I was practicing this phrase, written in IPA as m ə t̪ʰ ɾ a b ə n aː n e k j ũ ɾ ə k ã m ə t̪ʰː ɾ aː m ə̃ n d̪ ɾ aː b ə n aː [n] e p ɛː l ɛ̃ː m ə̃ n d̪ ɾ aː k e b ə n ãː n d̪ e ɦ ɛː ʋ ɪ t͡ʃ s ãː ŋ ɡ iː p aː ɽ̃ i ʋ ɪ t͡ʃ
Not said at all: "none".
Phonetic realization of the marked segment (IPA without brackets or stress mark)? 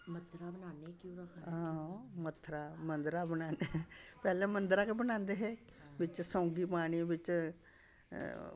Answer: n